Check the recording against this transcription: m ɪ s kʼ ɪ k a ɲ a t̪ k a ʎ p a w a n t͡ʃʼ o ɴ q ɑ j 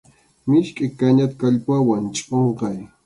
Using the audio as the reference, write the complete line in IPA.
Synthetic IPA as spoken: m ɪ ʃ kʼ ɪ k a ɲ a t̪ k a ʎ p a w a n t͡ʃʼ o ɴ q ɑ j